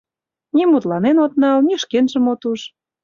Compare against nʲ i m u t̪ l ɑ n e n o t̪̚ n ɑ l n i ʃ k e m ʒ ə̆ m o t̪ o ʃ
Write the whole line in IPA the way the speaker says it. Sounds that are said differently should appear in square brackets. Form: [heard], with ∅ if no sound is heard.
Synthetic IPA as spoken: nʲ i m u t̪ l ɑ n e n o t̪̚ n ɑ l n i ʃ k e [n] ʒ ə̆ m o t̪ [u] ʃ